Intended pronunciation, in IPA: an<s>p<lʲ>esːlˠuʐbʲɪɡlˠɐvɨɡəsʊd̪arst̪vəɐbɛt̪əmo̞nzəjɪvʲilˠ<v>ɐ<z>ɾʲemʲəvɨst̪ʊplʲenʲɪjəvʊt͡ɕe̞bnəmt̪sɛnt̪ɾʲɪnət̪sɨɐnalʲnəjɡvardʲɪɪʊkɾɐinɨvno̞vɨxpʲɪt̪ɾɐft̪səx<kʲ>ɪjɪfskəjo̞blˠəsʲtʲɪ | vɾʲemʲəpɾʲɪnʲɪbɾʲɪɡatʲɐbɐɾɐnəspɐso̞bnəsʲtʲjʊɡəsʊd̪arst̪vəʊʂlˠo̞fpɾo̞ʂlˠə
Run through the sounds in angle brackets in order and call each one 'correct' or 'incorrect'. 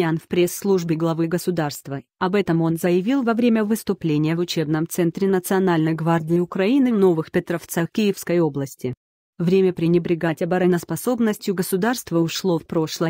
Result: incorrect, incorrect, correct, incorrect, correct

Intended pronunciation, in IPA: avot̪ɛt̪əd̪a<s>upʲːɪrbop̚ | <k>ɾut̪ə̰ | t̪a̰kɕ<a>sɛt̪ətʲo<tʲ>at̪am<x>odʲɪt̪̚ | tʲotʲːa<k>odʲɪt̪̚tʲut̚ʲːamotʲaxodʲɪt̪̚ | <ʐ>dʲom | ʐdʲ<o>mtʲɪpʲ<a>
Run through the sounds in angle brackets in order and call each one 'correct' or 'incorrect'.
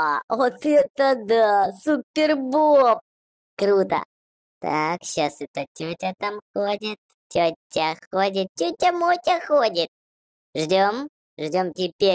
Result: correct, correct, correct, correct, correct, incorrect, correct, correct, incorrect

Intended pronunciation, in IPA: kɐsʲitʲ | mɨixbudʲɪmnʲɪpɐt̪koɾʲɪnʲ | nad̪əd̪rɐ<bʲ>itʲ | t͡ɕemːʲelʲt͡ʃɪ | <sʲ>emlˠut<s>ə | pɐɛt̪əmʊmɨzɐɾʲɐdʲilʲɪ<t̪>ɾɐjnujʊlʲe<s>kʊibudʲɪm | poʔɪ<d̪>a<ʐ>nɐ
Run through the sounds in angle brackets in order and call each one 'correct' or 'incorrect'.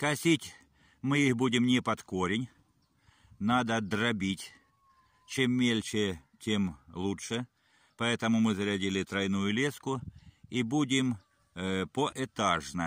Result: correct, incorrect, incorrect, correct, correct, incorrect, correct

